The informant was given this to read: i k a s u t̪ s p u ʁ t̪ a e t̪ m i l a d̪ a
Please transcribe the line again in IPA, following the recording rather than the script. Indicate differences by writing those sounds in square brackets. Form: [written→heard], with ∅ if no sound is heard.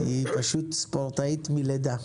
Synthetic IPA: i [k→p] a [s→ʃ] u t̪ s p [u→o] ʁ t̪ a [e→i] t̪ m i l [a→e] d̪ a

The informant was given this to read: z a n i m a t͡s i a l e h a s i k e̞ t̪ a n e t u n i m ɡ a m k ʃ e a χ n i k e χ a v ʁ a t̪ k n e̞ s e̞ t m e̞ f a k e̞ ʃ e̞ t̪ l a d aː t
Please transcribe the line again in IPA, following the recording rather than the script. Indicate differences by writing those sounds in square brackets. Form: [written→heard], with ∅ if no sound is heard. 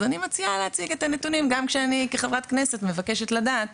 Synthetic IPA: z a n i m a t͡s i a l e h a [s→t͡s] i [k→ɡ] e̞ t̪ a n e t u n i m ɡ a m k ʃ e a [χ→∅] n i k e χ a v ʁ a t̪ k n e̞ s e̞ t m e̞ [f→v] a k e̞ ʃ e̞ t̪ l a d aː t

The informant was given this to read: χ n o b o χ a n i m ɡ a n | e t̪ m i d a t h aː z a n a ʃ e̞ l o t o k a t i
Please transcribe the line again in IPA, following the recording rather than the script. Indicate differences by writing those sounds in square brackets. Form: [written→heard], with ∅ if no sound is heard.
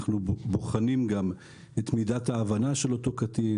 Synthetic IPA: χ n [o→u] b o χ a n i m ɡ a [n→m] | e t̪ m i d a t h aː [z→v] a n a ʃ e̞ l o t o k a t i

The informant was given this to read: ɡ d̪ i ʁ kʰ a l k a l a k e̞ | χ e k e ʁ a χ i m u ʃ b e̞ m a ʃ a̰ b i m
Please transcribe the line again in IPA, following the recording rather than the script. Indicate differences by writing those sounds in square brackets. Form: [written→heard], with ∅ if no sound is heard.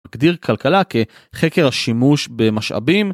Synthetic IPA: ɡ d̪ i ʁ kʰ a l k a l a k e̞ | χ e k e ʁ a [χ→ʃ] i m u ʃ b e̞ m a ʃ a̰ b i m

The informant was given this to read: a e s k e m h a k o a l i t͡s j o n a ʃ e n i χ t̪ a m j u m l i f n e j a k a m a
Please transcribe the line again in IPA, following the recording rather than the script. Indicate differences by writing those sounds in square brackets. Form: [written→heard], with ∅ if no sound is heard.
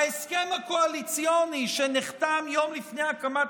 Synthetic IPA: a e s k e m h a k o a l i t͡s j o n [a→i] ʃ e n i χ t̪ a m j [u→o] m l i f n e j a k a m a

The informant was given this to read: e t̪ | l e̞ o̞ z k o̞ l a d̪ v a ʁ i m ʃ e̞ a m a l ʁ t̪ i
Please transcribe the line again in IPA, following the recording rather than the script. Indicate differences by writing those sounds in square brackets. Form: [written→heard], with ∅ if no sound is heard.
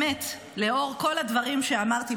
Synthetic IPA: e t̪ | l e̞ o̞ [z→ʁ] k o̞ l a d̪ v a ʁ i m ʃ e̞ a m a [l→∅] ʁ t̪ i

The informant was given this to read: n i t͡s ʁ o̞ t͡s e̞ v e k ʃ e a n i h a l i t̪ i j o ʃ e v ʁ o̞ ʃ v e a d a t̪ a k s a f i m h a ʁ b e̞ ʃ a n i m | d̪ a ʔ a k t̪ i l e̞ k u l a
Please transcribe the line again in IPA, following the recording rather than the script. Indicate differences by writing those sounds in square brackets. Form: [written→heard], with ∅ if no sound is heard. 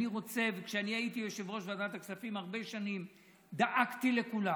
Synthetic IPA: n i [t͡s→∅] ʁ o̞ t͡s e̞ v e k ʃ e a n i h a [l→∅] i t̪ i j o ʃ e v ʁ o̞ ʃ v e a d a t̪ a k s a f i m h a ʁ b e̞ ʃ a n i m | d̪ a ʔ a k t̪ i l e̞ k u l a

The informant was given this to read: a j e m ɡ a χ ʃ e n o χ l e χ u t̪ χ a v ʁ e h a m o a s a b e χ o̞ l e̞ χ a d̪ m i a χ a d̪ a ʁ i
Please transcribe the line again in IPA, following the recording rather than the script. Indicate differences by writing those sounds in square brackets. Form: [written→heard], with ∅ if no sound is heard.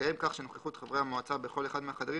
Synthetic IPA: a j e m [ɡ→k] a χ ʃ e n o χ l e χ u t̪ χ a v ʁ e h a m o a [s→t͡s] a b e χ o̞ l e̞ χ a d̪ m [i→e] a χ a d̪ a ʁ i

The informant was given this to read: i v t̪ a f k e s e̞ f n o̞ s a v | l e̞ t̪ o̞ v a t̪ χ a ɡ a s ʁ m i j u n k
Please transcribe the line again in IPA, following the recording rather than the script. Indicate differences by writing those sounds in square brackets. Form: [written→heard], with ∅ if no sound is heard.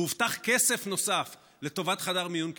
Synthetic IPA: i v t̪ a [f→χ] k e s e̞ f n o̞ s a [v→f] | l e̞ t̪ o̞ v a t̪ χ a [ɡ→d] a [s→∅] ʁ m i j u n k

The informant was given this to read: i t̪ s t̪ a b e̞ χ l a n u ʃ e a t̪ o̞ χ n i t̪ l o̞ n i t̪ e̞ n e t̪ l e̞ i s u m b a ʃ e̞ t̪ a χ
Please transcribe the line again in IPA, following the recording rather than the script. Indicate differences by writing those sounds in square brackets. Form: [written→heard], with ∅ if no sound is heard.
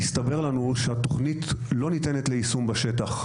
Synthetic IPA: i [t̪→∅] s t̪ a b e̞ [χ→ʁ] l a n u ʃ e a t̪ o̞ χ n i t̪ l o̞ n i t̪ e̞ n e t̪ l e̞ i s u m b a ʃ e̞ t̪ a χ

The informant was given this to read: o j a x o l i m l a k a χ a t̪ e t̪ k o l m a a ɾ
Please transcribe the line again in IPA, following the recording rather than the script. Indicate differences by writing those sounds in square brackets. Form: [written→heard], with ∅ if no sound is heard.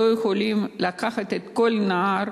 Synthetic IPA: o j [a→e] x o l i m l a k a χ a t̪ e t̪ k o l [m→n] a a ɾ

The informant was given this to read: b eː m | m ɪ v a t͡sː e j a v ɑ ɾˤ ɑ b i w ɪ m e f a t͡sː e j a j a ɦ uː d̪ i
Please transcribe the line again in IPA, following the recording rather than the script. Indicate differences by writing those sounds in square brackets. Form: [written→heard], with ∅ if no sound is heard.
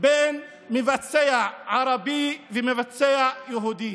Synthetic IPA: b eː [m→n] | m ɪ v a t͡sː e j a [v→ʕ] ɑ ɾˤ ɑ b i [w→v] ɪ m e [f→v] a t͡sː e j a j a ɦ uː d̪ i

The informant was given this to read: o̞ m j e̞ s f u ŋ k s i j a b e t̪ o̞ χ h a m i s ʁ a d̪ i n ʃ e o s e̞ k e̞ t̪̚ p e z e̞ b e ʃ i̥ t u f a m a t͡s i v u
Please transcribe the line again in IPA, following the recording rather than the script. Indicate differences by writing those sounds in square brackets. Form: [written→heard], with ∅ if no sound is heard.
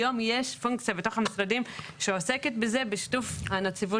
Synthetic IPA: o̞ m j e̞ [s→ʃ] f u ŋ k [s→t͡s] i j a b e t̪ o̞ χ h a m i s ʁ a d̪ i [n→m] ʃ e o s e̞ k e̞ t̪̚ [p→b] e z e̞ b e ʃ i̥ t u f a [m→n] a t͡s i v u

